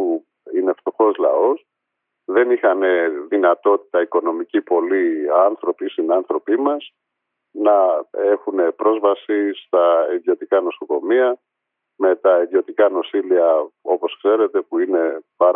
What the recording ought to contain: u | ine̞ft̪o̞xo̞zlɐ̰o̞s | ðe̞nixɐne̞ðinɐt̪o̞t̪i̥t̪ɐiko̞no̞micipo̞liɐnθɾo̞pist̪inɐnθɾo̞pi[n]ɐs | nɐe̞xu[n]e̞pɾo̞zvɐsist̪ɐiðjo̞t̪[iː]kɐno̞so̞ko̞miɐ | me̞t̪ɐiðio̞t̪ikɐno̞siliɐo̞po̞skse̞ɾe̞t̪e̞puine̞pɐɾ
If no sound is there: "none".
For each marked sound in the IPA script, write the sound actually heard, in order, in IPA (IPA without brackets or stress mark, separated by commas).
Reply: m, n, i